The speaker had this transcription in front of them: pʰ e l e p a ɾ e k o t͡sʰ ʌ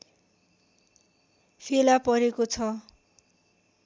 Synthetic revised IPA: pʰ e l a p ʌ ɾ e k o t͡sʰ ʌ